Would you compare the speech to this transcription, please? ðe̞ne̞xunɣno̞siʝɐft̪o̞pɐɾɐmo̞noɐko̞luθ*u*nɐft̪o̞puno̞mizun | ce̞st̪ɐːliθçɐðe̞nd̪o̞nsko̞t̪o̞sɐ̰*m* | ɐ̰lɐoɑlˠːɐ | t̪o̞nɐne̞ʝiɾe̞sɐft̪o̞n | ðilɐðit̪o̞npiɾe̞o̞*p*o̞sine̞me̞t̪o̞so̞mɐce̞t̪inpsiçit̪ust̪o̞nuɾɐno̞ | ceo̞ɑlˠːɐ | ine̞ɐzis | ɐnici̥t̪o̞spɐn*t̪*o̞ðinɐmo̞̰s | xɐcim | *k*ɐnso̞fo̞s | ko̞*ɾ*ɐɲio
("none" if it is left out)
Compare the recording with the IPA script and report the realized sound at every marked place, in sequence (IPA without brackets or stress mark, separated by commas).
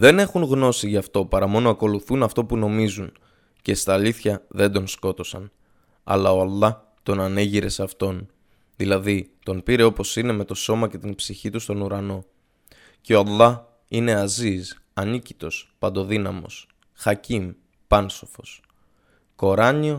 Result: u, n, p, d̪, p, ɾ